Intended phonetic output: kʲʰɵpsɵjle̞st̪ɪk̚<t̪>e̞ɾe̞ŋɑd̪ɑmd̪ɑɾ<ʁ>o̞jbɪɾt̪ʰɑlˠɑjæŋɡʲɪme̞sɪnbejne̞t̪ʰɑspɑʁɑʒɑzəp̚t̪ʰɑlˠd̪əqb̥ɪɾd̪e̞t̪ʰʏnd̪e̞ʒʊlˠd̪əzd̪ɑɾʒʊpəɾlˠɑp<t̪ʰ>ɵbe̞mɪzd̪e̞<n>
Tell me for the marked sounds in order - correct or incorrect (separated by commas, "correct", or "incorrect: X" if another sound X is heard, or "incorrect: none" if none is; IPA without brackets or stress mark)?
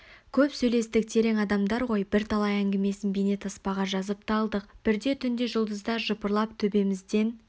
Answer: incorrect: t̪ʰ, correct, correct, correct